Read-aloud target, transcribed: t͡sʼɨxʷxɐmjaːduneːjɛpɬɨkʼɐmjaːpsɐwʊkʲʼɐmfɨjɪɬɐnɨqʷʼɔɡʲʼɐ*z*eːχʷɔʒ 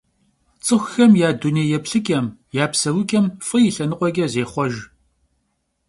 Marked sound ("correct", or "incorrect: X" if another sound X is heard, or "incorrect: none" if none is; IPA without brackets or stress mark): correct